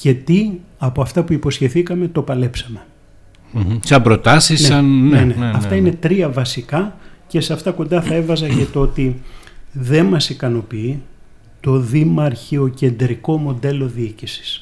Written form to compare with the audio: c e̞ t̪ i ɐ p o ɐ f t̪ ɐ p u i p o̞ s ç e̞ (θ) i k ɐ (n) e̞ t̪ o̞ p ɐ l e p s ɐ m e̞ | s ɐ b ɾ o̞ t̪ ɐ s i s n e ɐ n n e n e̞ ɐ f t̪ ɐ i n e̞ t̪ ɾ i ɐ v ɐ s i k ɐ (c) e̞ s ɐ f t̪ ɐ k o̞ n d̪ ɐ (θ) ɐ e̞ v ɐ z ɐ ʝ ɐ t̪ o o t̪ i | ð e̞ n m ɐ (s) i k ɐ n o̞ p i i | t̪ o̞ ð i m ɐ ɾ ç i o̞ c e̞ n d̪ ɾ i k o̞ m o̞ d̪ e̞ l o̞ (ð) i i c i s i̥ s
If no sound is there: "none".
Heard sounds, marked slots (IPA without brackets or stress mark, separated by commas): θ, m, c, θ, s, ð